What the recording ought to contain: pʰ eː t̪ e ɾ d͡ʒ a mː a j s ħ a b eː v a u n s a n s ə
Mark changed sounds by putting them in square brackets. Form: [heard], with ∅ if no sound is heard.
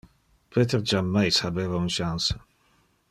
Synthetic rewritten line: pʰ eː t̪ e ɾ d͡ʒ a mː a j s [h] a b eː v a u n [ʃ] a n s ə

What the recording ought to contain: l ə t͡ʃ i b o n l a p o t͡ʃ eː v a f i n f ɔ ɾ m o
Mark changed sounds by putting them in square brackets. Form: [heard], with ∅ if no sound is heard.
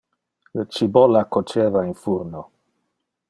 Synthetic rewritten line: l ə t͡ʃ i b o [∅] l a [k] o t͡ʃ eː v a [∅] i n f [u] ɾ [n] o

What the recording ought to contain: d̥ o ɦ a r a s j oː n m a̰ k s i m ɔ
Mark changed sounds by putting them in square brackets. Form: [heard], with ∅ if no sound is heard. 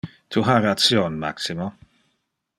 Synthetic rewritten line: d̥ [u] ɦ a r a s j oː n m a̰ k s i m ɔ

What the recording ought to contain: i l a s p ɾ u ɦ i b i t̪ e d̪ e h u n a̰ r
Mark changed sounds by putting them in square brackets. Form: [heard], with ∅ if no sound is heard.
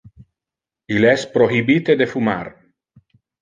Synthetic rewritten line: i l [ɛ] s p ɾ [o] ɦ i b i t̪ e d̪ e [f] u [m] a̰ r

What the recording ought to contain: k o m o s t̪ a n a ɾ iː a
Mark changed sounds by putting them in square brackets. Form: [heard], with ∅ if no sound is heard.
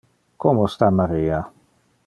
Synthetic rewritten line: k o m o s t̪ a [m] a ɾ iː a

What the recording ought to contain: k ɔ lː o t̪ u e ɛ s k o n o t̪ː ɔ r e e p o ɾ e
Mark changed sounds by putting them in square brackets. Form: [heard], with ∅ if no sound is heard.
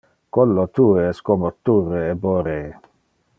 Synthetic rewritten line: k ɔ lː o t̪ u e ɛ s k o [m] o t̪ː [u] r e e [b] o ɾ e

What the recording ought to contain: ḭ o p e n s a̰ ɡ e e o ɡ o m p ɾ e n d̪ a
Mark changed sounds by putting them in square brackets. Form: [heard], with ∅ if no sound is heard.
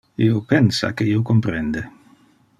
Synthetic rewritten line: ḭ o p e n s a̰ [k] e [i] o [k] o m p ɾ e n d̪ [e]

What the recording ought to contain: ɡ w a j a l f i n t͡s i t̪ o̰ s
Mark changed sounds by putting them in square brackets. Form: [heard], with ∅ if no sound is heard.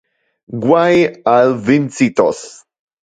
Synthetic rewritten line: ɡ w a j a l [v] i n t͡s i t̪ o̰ s

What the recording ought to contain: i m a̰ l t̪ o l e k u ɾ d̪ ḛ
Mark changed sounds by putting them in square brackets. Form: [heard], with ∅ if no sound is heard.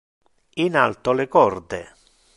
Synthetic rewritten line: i [n] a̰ l t̪ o l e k [ɔ] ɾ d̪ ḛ

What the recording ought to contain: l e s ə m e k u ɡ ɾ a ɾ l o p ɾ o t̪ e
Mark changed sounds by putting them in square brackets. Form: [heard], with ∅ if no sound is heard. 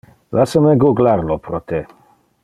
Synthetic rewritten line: l [a] s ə m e [ɡ] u ɡ [l] a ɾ l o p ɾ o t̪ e

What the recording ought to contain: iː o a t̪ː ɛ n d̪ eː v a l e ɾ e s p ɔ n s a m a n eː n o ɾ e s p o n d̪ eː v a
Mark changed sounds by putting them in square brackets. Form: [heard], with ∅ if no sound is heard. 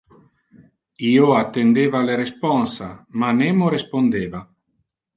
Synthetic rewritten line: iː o a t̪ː [e] n d̪ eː v a l e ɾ e s p ɔ n s a m a n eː [m] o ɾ e s p o n d̪ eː v a

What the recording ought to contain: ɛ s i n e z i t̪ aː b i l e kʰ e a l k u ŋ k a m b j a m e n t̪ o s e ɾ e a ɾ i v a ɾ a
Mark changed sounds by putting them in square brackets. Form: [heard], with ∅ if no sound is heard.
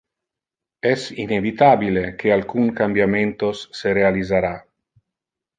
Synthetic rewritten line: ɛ s i n e [v] i t̪ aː b i l e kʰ e a l k u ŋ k a m b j a m e n t̪ o [sː] e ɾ e a [l] i [z] a ɾ a

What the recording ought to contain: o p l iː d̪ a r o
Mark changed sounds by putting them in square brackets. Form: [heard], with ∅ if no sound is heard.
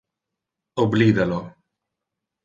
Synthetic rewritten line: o [b] l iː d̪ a [l] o

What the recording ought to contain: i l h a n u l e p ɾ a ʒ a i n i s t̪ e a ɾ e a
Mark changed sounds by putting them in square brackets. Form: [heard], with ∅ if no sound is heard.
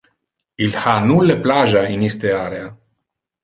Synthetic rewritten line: i l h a n u l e p [l] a ʒ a i n i s t̪ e a ɾ e a

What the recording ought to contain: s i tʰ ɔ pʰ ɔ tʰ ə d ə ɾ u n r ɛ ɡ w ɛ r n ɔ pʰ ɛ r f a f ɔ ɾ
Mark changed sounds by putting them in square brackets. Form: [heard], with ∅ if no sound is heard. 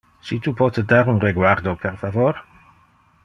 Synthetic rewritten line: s i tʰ [u] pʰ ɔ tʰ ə d [a] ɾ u n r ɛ ɡ w [a] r [d] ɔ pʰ ɛ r f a [v] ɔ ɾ

